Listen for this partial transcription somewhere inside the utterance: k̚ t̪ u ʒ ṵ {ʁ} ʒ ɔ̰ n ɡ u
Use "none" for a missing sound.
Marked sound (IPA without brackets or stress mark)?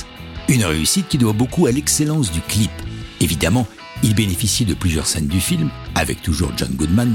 ʁ